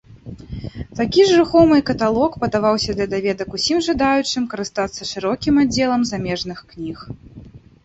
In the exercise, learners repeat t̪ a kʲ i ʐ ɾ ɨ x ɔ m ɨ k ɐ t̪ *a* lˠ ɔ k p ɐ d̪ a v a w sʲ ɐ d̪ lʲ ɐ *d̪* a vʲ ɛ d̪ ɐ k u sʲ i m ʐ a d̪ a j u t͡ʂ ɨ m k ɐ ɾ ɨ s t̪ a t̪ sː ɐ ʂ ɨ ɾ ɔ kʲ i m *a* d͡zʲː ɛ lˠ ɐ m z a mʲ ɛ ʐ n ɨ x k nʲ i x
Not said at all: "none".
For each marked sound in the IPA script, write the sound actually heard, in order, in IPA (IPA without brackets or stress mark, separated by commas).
a, d̪, a